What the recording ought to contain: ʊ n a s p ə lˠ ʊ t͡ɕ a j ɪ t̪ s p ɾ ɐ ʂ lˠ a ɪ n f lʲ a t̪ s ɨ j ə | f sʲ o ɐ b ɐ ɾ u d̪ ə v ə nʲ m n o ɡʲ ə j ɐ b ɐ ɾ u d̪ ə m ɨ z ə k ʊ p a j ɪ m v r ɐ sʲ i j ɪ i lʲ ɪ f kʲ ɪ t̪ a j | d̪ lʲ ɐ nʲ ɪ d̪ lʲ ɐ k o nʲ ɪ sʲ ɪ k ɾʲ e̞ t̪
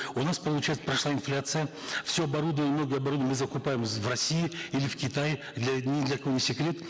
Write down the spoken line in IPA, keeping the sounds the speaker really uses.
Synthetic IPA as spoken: ʊ n a s p ə lˠ ʊ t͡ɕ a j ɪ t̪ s p ɾ ɐ ʂ lˠ a ɪ n f lʲ a t̪ s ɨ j ə | f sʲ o ɐ b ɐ ɾ u d̪ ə v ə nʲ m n o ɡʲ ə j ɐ b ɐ ɾ u d̪ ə m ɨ z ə k ʊ p a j ɪ m v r ɐ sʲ i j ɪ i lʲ ɪ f kʲ ɪ t̪ a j | d̪ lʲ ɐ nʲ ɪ d̪ lʲ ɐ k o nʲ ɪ sʲ ɪ k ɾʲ e̞ t̪

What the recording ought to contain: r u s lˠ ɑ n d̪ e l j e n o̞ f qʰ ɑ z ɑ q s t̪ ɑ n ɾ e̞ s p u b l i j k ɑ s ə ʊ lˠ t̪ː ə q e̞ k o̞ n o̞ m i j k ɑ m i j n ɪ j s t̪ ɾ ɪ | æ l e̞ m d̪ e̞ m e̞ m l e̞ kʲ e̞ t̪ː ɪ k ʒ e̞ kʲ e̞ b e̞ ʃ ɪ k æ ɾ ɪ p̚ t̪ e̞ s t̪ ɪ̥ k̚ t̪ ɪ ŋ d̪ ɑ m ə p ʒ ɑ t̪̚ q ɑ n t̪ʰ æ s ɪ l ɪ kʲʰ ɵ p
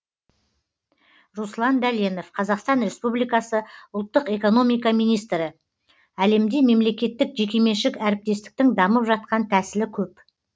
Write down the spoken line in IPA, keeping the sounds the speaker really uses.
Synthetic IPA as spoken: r u s lˠ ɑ n d̪ æ l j e n o̞ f qʰ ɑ z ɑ q s t̪ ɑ n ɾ e̞ s p u b l i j k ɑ s ə ʊ lˠ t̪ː ə q e̞ k o̞ n o̞ m i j k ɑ m i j n i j s t̪ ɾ ɪ | æ l e̞ m d̪ e̞ m e̞ m l e̞ kʲ e̞ t̪ː ɪ k ʒ e̞ kʲ e̞ m e̞ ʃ ɪ k æ ɾ ɪ p̚ t̪ e̞ s t̪ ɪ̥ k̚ t̪ ɪ ŋ d̪ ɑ m ə p ʒ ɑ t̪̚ q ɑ n t̪ʰ æ s ɪ l ɪ kʲʰ ɵ p

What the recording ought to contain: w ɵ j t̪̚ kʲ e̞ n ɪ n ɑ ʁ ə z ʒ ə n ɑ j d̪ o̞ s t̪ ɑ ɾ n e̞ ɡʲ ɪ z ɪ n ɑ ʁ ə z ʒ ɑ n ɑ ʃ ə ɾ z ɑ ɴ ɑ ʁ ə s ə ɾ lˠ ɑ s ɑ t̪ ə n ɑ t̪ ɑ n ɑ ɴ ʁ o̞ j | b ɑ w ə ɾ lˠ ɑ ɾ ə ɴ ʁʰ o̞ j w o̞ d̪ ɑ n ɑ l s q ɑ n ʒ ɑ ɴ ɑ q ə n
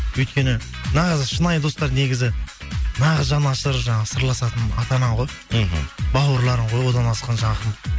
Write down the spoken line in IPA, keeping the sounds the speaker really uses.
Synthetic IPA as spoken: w ɵ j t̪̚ kʲ e̞ n ɪ n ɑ ʁ ə z ʃ ə n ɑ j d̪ o̞ s t̪ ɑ ɾ n e̞ ɡʲ ɪ z ɪ n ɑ ʁ ə z ʒ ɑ n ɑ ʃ ə ɾ ʒ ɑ ɴ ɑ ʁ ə s ə ɾ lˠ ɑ s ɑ t̪ ə n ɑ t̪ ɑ n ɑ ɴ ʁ o̞ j | b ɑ w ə ɾ lˠ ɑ ɾ ə ɴ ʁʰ o̞ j w o̞ d̪ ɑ n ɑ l s q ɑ n ʒ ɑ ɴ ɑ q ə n

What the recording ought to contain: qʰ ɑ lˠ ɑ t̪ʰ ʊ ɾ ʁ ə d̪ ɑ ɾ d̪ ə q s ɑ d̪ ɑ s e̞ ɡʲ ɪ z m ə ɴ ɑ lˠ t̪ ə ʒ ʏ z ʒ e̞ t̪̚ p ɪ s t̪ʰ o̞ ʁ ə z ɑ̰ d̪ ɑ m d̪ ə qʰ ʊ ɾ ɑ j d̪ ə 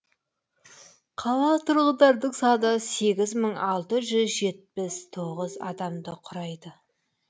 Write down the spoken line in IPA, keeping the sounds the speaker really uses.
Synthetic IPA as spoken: qʰ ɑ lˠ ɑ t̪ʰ ʊ ɾ ʁ ə d̪ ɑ ɾ d̪ ə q s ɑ d̪ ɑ s e̞ ɡʲ ɪ z m ə ɴ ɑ lˠ t̪ ə ʒ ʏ z ʒ e̞ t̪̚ p ɪ s t̪ʰ o̞ ʁ ə z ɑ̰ d̪ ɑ m d̪ ə qʰ ʊ ɾ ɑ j d̪ ə

